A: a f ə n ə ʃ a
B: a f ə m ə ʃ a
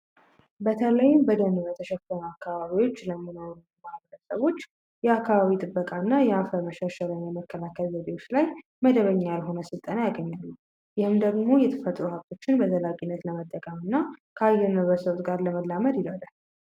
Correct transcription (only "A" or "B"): B